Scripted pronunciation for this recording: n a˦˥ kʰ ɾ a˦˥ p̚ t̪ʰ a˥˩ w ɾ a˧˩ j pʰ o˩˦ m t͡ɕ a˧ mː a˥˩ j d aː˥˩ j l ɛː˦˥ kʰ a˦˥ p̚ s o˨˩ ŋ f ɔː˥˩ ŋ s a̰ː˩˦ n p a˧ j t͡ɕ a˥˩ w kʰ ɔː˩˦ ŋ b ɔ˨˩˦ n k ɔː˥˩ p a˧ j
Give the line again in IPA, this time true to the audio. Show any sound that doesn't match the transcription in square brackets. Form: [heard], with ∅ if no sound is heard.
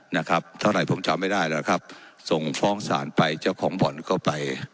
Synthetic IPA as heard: n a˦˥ kʰ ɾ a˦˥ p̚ t̪ʰ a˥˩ w ɾ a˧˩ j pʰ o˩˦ m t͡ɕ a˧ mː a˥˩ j d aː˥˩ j l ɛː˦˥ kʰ a˦˥ p̚ s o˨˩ ŋ f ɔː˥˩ ŋ s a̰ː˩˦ n p a˧ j t͡ɕ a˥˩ w kʰ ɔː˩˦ ŋ b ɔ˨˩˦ n k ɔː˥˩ p a˧ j